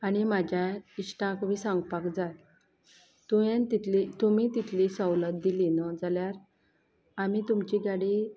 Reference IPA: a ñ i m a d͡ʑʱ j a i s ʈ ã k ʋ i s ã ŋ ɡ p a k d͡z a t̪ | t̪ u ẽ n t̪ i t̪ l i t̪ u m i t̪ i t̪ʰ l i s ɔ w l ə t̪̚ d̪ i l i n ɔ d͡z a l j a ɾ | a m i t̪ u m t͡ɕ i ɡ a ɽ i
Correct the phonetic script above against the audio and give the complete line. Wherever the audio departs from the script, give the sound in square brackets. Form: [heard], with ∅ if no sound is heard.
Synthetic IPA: a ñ i m a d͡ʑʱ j a i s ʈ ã k ʋ i s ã ŋ ɡ p a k d͡z a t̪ | t̪ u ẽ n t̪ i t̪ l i t̪ u m i t̪ i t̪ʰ l i s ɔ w l ə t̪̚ d̪ i l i n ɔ d͡z a l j a ɾ | a m i t̪ u m t͡ɕ i ɡ a ɽ i